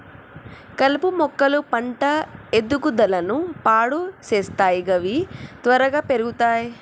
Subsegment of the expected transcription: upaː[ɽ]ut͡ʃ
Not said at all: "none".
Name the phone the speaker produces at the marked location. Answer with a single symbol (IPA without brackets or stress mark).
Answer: ɽ